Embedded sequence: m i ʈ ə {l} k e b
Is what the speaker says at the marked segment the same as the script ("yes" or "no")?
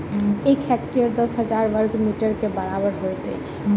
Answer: no